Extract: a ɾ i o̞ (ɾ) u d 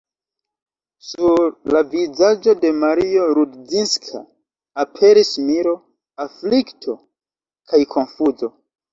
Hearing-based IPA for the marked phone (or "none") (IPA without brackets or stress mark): ɾ